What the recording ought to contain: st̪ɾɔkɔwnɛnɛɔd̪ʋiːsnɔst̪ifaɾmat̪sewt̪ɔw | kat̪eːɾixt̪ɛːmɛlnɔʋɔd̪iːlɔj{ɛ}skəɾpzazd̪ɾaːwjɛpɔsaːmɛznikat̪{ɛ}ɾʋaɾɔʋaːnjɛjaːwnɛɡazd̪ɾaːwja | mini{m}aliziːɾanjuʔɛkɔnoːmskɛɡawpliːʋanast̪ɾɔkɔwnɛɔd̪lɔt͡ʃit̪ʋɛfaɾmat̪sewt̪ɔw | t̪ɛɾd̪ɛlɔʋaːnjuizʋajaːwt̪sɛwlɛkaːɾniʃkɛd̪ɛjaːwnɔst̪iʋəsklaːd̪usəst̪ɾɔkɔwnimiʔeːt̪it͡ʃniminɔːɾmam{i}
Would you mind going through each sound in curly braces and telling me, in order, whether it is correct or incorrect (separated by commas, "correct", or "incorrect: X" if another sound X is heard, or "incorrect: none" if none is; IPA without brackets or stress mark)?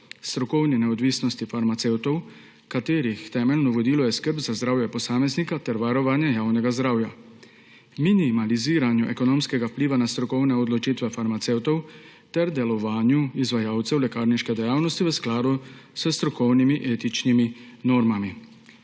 correct, correct, correct, correct